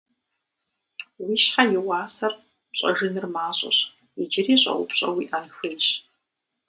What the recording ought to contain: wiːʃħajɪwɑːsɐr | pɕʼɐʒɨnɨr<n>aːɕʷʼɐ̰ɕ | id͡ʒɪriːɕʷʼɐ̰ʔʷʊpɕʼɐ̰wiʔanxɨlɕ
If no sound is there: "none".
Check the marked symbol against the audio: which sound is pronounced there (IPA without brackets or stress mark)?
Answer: m